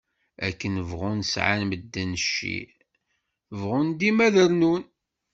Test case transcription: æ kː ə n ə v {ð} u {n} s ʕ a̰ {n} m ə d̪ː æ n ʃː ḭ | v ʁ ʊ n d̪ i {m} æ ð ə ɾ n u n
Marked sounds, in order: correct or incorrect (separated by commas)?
incorrect, correct, correct, correct